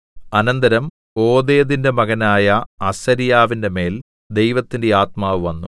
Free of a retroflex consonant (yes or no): yes